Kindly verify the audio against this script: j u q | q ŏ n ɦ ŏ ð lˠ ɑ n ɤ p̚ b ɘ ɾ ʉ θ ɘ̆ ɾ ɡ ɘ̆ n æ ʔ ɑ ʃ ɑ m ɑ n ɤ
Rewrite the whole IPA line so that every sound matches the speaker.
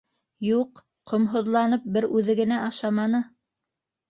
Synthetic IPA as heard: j u q | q ŏ m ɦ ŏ ð lˠ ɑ n ɤ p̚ b ɘ ɾ ʉ ð ɘ̆ ɡ ɘ̆ n æ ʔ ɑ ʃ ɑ m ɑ n ɤ